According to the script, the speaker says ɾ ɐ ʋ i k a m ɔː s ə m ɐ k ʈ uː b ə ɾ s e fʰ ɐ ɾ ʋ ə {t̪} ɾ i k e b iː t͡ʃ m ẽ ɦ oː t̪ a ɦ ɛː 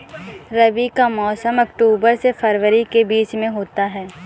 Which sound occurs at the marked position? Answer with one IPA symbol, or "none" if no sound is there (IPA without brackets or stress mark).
none